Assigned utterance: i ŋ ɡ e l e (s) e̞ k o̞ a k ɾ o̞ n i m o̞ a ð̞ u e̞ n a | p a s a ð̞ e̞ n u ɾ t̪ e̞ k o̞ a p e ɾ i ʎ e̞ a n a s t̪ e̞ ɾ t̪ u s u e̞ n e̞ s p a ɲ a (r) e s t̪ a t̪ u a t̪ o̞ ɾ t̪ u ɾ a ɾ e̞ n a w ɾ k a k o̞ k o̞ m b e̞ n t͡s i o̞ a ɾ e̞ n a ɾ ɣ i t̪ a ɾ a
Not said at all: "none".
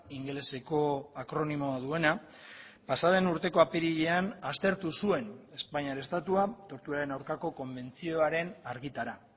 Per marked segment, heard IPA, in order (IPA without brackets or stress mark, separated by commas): s, ɾ